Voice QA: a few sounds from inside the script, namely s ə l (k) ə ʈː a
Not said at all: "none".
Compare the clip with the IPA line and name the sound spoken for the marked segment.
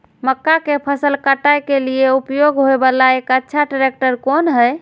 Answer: k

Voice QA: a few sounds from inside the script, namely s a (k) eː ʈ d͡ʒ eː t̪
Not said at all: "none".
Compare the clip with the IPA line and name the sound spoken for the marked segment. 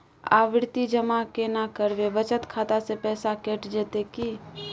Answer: k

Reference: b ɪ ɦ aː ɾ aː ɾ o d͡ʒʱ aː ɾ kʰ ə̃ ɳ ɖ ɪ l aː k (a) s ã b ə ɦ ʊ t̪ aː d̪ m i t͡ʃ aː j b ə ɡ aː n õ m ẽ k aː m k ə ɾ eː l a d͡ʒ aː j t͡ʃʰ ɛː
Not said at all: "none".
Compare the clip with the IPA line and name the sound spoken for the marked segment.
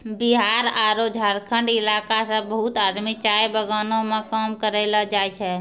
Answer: a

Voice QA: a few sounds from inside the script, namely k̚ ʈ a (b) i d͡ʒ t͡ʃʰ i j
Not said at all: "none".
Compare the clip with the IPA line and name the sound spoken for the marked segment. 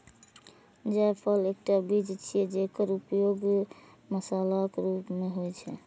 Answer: b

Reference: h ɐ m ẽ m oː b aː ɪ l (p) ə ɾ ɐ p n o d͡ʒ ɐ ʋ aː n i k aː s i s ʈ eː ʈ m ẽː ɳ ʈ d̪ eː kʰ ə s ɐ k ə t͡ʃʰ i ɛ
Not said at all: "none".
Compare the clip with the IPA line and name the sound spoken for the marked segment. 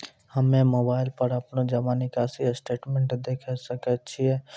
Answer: p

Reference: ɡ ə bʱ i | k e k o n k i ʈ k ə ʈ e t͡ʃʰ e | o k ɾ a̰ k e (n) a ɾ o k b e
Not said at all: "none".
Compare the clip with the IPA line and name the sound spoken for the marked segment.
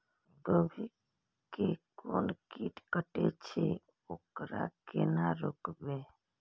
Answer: n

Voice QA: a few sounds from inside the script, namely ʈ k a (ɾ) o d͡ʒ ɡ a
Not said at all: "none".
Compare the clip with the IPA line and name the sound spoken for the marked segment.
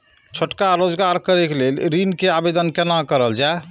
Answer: ɾ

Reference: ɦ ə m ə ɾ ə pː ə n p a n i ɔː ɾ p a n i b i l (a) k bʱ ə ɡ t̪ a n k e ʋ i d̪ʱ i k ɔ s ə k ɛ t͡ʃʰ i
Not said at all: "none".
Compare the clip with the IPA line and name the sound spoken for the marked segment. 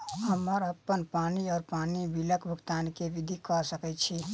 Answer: ə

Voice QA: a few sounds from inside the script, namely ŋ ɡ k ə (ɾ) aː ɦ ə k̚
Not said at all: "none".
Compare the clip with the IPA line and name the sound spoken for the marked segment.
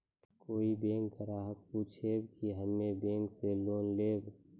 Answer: ɾ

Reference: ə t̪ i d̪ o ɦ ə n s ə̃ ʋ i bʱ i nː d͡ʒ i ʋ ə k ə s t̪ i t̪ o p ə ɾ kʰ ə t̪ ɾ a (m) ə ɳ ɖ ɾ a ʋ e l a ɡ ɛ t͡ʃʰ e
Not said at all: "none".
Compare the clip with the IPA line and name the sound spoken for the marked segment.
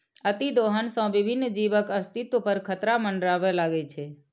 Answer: m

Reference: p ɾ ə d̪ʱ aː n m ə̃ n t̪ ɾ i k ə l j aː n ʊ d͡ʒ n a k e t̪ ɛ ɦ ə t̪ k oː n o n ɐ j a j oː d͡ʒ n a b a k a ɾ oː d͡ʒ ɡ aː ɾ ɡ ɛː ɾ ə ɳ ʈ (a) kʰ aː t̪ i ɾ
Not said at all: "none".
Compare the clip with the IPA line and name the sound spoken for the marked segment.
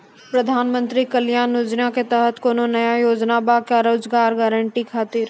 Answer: i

